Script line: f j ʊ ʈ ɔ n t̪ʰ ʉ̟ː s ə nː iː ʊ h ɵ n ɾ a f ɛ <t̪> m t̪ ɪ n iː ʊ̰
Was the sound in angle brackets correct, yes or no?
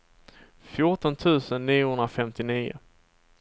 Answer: no